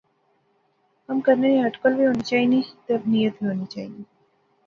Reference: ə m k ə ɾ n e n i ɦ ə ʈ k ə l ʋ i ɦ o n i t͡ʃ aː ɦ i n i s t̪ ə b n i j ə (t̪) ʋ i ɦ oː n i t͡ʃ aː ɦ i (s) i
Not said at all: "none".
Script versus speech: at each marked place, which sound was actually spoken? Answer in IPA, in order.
t̪, none

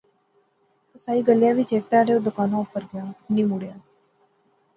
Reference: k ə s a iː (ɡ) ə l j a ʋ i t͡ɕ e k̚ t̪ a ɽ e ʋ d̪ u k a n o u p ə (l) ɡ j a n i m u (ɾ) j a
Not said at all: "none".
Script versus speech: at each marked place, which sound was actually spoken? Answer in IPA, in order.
ɡ, ɾ, ɽ

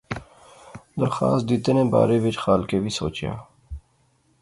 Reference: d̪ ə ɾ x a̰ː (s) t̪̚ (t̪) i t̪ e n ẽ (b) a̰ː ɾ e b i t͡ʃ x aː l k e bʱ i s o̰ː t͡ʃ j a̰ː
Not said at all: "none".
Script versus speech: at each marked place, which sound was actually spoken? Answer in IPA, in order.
s, d̪, b

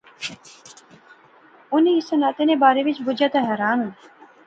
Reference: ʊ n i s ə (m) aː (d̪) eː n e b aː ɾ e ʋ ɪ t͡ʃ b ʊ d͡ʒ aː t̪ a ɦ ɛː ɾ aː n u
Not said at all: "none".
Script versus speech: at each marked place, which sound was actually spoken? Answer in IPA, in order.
n, t̪

